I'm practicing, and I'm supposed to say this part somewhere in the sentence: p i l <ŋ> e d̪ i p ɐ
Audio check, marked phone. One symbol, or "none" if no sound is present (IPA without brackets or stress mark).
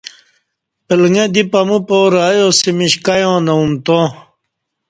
ŋ